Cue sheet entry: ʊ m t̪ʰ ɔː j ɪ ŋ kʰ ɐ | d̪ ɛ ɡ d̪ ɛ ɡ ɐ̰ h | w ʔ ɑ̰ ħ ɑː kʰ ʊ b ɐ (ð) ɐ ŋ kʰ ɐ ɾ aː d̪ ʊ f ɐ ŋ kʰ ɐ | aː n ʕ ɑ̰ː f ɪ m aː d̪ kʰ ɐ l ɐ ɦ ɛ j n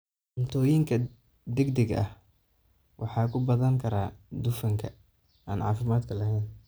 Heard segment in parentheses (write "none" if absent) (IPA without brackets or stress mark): ð